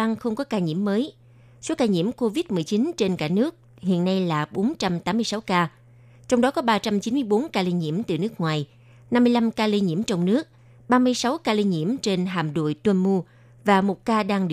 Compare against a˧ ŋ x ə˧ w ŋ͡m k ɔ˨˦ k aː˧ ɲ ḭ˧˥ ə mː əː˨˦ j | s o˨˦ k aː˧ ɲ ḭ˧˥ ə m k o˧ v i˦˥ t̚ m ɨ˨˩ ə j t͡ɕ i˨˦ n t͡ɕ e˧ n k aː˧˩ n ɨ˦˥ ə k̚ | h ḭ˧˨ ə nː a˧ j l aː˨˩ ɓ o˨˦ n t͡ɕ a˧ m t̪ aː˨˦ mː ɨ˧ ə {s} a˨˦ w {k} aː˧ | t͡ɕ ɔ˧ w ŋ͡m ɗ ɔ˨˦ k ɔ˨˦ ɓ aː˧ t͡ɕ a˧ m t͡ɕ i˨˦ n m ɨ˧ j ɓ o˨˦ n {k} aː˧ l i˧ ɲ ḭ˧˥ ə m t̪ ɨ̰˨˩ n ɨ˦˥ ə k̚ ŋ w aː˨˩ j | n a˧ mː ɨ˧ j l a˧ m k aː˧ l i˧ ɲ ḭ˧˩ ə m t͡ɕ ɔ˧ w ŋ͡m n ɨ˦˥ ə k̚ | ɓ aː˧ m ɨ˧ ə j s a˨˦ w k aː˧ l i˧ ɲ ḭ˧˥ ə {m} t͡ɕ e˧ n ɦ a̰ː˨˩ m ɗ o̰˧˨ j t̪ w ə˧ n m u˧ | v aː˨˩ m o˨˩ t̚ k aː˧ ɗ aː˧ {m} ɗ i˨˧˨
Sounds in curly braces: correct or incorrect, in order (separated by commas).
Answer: correct, correct, correct, correct, incorrect